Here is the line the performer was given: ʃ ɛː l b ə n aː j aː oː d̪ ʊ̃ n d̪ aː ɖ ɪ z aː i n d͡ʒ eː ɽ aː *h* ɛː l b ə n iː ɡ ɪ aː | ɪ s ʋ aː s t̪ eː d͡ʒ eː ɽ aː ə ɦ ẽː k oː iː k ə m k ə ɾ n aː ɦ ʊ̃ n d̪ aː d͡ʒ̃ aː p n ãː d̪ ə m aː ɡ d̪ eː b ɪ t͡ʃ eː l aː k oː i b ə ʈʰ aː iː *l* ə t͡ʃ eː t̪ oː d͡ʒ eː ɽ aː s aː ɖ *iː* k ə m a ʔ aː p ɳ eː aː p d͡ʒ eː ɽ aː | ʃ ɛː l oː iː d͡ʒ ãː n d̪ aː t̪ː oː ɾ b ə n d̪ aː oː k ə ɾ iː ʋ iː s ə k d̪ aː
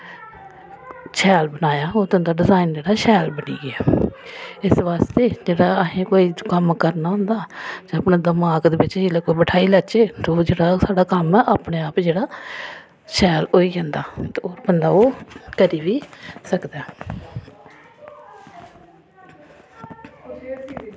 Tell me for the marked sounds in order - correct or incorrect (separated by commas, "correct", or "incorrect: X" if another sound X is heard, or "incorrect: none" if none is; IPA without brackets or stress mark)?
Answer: incorrect: ʃ, correct, incorrect: aː